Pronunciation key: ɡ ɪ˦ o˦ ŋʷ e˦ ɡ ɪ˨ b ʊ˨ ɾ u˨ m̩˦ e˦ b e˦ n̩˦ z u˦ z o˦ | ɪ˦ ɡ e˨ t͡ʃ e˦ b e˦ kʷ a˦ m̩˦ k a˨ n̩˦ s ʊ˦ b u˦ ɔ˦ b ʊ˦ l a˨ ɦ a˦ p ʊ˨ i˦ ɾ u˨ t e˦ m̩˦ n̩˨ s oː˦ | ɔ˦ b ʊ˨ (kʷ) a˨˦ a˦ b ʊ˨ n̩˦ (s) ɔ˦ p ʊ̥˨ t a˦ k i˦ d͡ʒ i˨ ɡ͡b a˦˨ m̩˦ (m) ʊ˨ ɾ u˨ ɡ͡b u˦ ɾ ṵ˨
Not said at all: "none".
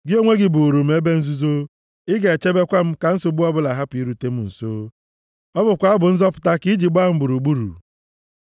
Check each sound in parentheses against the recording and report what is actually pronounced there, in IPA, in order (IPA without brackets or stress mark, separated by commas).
kʷ, z, b